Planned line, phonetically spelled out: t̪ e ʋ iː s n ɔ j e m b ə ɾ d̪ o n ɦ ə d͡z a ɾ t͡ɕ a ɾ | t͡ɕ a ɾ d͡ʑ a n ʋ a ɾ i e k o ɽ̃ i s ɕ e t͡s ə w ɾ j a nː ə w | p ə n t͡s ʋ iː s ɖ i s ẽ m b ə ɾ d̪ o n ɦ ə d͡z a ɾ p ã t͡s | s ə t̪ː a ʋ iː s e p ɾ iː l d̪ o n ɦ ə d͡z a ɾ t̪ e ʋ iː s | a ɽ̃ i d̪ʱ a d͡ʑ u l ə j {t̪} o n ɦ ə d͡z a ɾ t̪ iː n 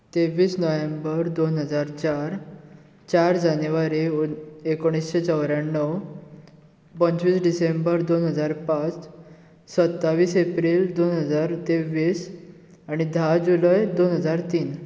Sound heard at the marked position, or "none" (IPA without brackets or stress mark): d̪